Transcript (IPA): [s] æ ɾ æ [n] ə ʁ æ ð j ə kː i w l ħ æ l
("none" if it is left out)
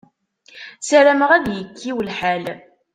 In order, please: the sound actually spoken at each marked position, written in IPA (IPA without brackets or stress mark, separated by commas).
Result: s, m